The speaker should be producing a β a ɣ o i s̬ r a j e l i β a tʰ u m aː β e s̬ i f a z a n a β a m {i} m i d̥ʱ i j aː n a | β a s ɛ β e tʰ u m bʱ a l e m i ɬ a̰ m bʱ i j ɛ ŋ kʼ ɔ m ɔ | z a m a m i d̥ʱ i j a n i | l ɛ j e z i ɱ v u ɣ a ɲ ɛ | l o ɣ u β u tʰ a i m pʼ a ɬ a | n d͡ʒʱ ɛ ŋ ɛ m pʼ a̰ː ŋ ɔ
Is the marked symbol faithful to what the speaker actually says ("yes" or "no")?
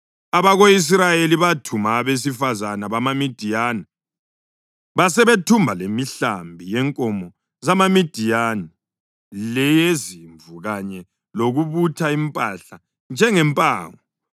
no